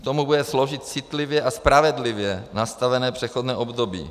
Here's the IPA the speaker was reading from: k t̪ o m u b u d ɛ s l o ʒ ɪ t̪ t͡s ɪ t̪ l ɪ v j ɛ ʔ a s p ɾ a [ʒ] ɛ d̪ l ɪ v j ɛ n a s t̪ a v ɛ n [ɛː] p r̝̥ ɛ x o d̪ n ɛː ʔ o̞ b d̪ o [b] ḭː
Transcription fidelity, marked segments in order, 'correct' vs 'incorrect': incorrect: v, correct, correct

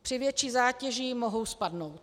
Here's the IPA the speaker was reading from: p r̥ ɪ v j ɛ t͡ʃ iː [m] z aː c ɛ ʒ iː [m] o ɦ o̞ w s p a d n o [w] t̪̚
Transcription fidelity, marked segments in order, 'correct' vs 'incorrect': incorrect: none, correct, correct

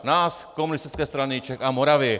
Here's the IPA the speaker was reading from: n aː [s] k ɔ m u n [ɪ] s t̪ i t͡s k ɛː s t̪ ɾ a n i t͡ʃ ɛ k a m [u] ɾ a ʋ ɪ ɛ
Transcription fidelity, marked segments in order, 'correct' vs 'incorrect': correct, incorrect: i, incorrect: ɔ

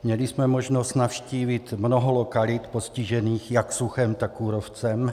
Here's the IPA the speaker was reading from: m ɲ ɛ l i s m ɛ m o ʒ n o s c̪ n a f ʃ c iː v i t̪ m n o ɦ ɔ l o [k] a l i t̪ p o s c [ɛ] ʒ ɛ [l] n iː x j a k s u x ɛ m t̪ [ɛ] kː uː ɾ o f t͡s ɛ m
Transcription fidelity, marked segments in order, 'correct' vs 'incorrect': correct, incorrect: i, incorrect: none, incorrect: a

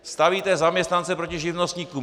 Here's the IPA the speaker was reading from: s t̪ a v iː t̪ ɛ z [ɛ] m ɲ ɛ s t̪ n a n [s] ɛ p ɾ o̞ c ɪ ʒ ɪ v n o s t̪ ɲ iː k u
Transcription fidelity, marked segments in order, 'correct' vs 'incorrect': incorrect: a, incorrect: t͡s

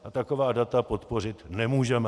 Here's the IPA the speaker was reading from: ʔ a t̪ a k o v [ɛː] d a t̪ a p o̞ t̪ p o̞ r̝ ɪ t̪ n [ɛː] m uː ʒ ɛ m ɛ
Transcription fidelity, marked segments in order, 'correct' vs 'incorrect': incorrect: aː, incorrect: ɛ

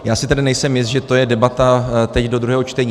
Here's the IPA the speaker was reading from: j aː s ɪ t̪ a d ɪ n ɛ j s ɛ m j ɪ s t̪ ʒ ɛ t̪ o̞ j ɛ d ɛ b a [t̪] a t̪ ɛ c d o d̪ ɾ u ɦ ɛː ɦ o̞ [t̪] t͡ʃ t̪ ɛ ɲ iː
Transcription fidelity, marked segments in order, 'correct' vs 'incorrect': correct, incorrect: none

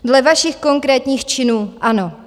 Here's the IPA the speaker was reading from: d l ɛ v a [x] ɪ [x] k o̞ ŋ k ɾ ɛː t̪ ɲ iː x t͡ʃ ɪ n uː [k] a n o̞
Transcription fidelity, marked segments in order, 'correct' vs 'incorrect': incorrect: ʃ, correct, incorrect: ʔ

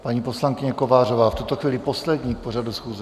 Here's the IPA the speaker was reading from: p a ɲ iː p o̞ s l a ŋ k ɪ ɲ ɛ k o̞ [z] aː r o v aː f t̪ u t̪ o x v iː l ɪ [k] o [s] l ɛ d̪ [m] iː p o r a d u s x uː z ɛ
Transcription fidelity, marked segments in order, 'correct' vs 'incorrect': incorrect: v, incorrect: p, correct, incorrect: ɲ

